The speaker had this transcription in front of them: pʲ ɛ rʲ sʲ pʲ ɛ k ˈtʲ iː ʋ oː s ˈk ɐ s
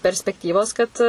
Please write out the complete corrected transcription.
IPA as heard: pʲ ɛ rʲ sʲ pʲ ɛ k ˈtʲ iː ʋ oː s ˈk ɐ t